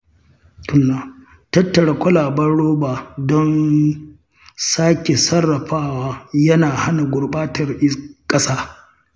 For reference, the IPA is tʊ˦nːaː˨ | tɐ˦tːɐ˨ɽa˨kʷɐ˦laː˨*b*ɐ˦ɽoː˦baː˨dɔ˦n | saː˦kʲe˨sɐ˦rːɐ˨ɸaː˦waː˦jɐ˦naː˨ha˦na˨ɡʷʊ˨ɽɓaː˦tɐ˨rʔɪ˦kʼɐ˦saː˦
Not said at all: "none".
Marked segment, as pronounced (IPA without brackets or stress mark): b